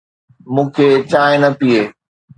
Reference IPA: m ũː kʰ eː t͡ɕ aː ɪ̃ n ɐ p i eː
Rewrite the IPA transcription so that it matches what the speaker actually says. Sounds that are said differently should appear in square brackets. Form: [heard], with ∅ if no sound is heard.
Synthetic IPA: m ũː kʰ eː t͡ɕ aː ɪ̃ n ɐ p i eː